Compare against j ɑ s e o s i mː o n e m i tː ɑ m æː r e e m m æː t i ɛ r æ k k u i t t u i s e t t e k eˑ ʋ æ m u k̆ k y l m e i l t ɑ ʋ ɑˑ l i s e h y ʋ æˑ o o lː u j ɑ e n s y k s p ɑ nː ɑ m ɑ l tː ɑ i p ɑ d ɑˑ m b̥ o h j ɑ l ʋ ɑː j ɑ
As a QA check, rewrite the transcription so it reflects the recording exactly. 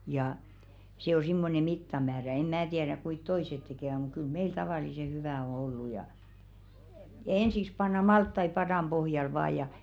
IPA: j ɑ s e o s i mː o n e m i tː ɑ m æː r æ e m m æː t i ɛ r æ k k u i t t o i s e t t e k eˑ ʋ æ m u k̆ k y l m e i l t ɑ ʋ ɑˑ l i s e h y ʋ æˑ o o lː u j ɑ e n s i k s p ɑ nː ɑ m ɑ l tː ɑ i p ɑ d ɑˑ m b̥ o h j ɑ l ʋ ɑː j ɑ

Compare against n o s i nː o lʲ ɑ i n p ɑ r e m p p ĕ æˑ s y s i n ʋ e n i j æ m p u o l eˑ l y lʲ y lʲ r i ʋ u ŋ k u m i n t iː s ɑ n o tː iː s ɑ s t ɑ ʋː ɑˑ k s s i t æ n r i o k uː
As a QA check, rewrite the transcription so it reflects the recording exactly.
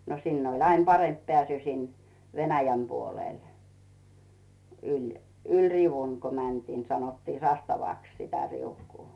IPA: n o s i nː o lʲ ɑ i n p ɑ r e m p p ĕ æˑ s y s i n ʋ e n æ j æ m p u o l eˑ l y lʲ y lʲ r i ʋ u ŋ k u m æ n t iː s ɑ n o tː iː s ɑ s t ɑ ʋ ɑˑ k s s i t æ r i u k uː

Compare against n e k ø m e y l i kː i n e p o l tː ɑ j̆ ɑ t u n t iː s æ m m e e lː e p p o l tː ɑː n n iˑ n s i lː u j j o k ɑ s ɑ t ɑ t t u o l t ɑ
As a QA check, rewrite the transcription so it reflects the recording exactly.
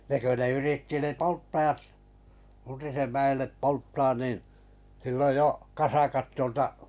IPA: n e k ø n e y r i tː i n e p o l tː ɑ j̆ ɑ t u n t i s e m m æ e lː e p p o l tː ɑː n n iˑ n s i lː o j j o k ɑ s ɑ k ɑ t t u o l t ɑ

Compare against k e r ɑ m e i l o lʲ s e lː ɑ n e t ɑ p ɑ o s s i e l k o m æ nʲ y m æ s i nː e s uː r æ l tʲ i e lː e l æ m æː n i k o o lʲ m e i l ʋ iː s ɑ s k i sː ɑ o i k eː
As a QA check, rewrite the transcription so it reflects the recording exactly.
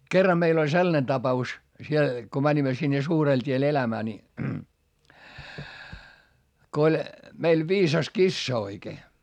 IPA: k e rː ɑ m e i l o lʲ s e lː ɑ n e t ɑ p ɑ u s s i e l k o m æ nʲ i m æ s i nː e s uː r e l tʲ i e l e l æ m æː n i k o o lʲ m e i l ʋ iː s ɑ s k i sː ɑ o i k eː

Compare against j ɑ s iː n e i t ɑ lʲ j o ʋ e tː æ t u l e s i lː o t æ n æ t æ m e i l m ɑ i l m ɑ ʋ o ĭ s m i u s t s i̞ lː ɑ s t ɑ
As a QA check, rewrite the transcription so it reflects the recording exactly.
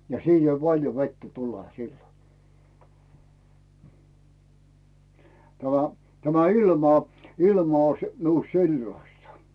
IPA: j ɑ s iː n e i p ɑ lʲ j o ʋ e tː æ t u l e s i lː o t æ m æ t æ m æ i l m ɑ i l m ɑ o ĭ s m i u s t s i̞ lː ɑ s t ɑ

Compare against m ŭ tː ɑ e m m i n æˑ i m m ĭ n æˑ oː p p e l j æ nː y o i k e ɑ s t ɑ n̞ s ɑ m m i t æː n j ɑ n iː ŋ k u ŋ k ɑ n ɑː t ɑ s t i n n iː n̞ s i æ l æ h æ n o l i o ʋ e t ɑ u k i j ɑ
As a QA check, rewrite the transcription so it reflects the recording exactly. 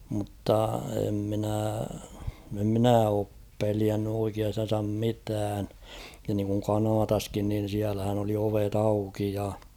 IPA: m ŭ tː ɑ e m m i n æˑ e m m ĭ n æˑ oː p p e l i æ nː y o i k i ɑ s t ɑ n̞ s ɑ m m i t æː n j ɑ n iː ŋ k u ŋ k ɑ n ɑː t ɑ s k i n n i n̞ s i æ l æ h æ n o l i o ʋ e t ɑ u k i j ɑ

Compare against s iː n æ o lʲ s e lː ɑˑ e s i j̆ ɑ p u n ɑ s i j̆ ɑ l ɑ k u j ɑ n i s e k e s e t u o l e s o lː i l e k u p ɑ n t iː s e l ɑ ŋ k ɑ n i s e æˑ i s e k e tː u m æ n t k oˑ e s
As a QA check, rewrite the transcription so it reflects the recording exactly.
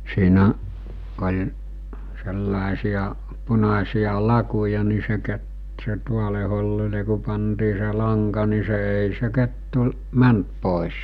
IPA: s iː n æ o lʲ s e lː ɑˑ e s i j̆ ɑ p u n ɑ s i j̆ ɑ l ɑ k u j ɑ n i s e k e s e t u o l e h o lː i l e k u p ɑ n t iː s e l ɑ ŋ k ɑ n i s e eˑ i s e k e tː u m æ n t p oˑ e s

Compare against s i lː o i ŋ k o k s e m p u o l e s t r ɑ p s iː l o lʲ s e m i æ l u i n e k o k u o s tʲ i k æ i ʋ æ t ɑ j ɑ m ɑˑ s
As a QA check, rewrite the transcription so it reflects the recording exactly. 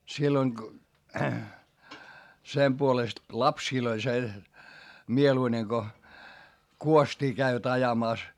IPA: s i lː o i ŋ k o s e m p u o l e s t l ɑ p s iː l o lʲ s e m i e l u i n e k o k u o s tʲ iː k æ i ʋ æ t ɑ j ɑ m ɑˑ s

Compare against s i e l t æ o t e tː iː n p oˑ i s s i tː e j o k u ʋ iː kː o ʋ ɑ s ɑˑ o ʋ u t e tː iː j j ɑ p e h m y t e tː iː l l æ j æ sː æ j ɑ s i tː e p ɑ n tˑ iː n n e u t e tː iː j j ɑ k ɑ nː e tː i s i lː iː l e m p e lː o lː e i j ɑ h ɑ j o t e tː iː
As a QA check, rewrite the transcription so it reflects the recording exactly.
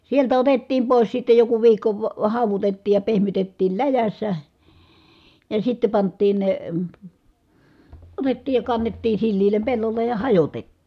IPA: s i e l t æ o t e tː iː m p oˑ i s s i tː e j o k u ʋ iː kː o ʋ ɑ h ɑˑ u ʋ u t e tː iː j j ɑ p e h m y t e tː iː l l æ j æ sː æ j ɑ s i tː e p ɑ n tˑ iː n n e o t e tː iː j j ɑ k ɑ nː e tː iː s i lː iː l e m p e lː o lː e j j ɑ h ɑ j o t e tː iː

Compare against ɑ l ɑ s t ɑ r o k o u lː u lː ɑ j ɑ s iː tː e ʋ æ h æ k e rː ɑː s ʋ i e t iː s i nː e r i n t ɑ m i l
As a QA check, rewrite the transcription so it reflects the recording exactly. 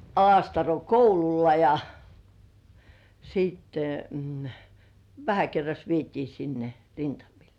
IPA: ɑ l ɑ s t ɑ r o k o u l u lː ɑ j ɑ s iː tː e ʋ æ h æ k e rː ɑ s ʋ i e t iː s i nː e r i n t ɑ m i l

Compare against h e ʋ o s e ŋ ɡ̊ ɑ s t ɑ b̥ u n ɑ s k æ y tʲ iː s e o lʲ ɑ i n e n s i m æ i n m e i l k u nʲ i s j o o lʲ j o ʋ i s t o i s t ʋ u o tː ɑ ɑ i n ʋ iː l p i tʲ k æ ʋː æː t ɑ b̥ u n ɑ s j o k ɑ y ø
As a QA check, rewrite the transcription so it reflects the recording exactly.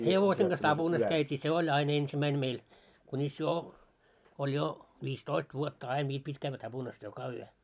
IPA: h e ʋ o s e ŋ ɡ̊ ɑ s t ɑ b̥ u n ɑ s k æ y tʲ iː s e o lʲ ɑ i n e n s i m æ i n m e i l k u nʲ i s j o o lʲ j o ʋ i s t o i s t ʋ u o tː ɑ ɑ i n ʋ iː l p i tʲ k æ ʋː æ t ɑ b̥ u n ɑ s j o k ɑ y ø

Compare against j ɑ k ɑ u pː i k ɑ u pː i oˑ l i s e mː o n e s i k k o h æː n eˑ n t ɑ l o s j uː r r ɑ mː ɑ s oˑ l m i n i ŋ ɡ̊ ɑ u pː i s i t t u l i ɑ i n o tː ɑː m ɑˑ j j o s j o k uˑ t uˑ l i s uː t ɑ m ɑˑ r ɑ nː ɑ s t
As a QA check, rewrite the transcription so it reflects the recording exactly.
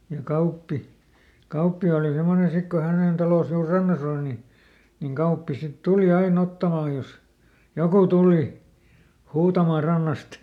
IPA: j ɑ k ɑ u pː i k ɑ u pː i oˑ l i s e mː o n e s i k k o h æ n eˑ n t ɑ l o s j uː r r ɑ nː ɑ s oˑ l n i n i ŋ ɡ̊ ɑ u pː i s i t t u l i ɑ i n o tː ɑ m ɑˑ j j o s j o k uˑ t uˑ l i h uː t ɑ m ɑˑ r ɑ nː ɑ s t

